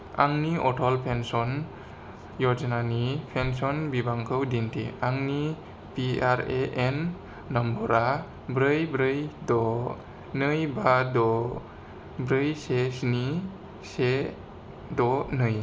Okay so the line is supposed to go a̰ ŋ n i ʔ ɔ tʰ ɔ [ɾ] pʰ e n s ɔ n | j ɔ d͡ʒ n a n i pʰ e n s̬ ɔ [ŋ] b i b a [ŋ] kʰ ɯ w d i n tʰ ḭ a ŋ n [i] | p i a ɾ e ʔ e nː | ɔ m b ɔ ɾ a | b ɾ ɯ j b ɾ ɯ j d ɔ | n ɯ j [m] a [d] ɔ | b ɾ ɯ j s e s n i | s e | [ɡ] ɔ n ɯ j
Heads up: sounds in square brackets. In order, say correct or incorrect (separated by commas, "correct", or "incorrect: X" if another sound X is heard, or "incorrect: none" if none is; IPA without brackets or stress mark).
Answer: incorrect: l, incorrect: n, correct, correct, incorrect: b, correct, incorrect: d